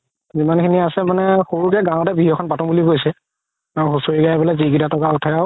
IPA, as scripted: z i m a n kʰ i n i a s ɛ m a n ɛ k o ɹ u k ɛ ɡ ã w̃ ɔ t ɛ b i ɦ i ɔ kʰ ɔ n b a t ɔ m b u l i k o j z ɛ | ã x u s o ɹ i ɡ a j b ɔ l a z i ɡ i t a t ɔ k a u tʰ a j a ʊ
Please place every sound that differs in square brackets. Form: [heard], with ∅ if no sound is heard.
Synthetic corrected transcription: z i m a n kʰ i n i a s ɛ m a n ɛ [x] o ɹ u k ɛ ɡ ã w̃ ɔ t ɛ b i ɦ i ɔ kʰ ɔ n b a t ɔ m b u l i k o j [s] ɛ | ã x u s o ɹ i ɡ a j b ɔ l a z i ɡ i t a t ɔ k a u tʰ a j a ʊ